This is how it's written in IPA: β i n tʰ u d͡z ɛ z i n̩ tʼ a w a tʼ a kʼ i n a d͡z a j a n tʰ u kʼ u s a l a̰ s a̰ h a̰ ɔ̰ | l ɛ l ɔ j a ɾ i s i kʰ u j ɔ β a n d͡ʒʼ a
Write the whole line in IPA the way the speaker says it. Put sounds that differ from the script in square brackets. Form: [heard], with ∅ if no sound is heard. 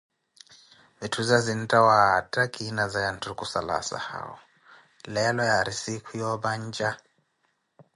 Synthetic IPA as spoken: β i [∅] tʰ u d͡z [a] z i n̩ tʼ a w a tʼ a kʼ i n a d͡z a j a n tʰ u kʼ u s a l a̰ s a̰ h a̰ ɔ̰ | l ɛ l ɔ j a ɾ i s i kʰ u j ɔ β a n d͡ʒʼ a